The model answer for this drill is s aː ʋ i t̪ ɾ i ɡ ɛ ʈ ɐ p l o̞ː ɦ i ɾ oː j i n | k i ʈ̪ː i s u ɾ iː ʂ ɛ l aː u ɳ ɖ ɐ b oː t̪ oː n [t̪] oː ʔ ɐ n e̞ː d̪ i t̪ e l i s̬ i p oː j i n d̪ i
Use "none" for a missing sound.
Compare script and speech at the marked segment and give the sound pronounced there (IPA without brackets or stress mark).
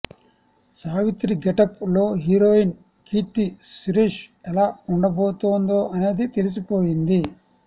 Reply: d̪